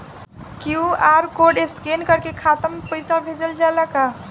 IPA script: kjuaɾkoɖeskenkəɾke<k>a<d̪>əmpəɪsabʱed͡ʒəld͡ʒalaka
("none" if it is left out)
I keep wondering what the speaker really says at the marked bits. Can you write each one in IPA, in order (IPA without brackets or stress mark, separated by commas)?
kʰ, t̪